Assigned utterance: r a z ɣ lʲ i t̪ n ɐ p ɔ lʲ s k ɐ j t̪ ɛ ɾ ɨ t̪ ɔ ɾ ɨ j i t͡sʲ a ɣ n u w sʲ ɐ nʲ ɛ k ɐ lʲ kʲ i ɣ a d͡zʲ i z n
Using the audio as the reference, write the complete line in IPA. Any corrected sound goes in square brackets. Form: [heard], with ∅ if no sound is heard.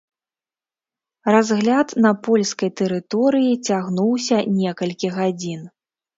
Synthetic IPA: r a z ɣ lʲ [a] t̪ n ɐ p ɔ lʲ s k ɐ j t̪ ɛ ɾ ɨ t̪ ɔ ɾ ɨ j i t͡sʲ a ɣ n u w sʲ ɐ nʲ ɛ k ɐ lʲ kʲ i ɣ a d͡zʲ i [∅] n